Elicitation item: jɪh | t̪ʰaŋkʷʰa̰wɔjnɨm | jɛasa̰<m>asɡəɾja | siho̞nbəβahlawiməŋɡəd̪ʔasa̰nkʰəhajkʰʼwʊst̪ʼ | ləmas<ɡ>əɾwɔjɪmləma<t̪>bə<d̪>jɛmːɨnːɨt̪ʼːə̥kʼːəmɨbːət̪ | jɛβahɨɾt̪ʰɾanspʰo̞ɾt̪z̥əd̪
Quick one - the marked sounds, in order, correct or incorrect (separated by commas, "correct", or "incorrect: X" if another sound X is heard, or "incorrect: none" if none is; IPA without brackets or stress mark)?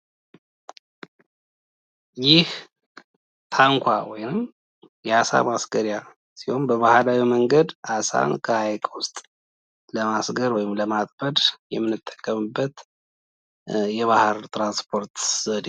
correct, correct, incorrect: t̪ʼ, correct